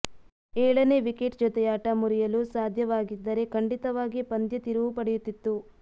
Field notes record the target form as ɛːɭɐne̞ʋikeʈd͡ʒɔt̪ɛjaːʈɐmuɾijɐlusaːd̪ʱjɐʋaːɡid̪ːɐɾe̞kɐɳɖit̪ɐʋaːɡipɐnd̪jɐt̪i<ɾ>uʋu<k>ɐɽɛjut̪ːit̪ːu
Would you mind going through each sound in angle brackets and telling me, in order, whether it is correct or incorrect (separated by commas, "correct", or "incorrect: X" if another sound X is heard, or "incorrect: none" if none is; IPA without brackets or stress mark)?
correct, incorrect: p